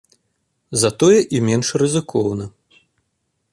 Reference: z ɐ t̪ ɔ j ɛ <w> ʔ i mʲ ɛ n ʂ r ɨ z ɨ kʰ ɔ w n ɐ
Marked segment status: incorrect: none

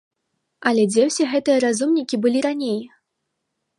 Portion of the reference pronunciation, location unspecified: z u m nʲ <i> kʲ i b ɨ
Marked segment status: correct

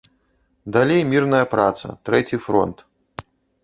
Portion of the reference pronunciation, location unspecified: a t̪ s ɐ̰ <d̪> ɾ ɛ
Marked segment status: incorrect: t̪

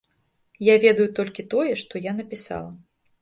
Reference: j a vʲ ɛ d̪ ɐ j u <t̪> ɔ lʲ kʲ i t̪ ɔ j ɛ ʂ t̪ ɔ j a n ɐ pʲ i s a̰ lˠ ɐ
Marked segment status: correct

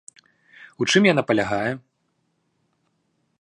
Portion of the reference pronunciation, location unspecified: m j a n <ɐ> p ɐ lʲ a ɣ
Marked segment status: incorrect: a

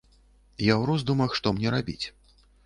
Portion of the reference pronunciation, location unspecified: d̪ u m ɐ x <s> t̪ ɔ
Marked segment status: incorrect: ʂ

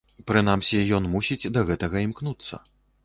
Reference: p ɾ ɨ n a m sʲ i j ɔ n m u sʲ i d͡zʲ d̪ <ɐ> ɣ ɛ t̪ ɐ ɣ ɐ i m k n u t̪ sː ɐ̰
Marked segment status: correct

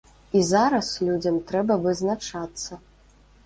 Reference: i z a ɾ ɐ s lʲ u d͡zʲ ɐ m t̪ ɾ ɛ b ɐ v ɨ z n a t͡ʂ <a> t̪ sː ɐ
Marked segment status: correct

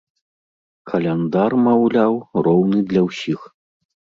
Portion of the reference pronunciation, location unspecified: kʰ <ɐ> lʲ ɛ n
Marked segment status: correct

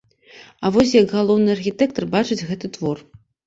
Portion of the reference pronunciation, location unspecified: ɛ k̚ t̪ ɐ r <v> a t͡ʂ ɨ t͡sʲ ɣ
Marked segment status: incorrect: b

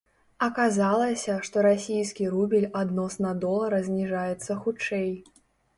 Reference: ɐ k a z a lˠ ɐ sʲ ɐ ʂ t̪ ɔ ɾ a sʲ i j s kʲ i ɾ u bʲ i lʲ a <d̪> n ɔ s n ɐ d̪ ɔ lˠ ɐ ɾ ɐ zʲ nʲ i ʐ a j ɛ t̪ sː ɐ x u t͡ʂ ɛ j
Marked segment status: correct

